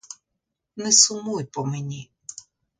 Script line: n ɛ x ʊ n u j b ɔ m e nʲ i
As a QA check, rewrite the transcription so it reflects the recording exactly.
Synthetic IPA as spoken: n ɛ s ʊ m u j p ɔ m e nʲ i